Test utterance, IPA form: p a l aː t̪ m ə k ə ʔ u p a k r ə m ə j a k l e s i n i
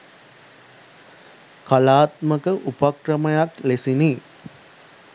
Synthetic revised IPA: k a l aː t̪ m ə k ə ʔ u p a k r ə m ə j a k l e s i n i